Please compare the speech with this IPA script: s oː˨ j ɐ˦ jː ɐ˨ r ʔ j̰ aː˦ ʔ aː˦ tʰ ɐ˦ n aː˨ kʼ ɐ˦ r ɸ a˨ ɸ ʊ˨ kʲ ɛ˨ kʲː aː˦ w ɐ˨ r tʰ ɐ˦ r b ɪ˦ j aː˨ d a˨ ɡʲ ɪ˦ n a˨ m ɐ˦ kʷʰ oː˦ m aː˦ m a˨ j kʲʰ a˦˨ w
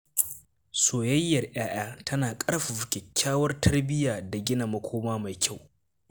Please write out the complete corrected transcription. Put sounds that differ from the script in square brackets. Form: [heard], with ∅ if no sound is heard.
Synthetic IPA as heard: s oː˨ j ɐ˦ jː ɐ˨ r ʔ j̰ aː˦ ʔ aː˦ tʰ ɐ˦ n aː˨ kʼ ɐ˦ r ɸ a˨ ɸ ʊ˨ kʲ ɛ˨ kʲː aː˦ w [ɐ˦] r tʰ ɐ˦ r b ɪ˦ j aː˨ d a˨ ɡʲ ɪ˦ n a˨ m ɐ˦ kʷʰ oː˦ m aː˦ m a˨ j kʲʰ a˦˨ w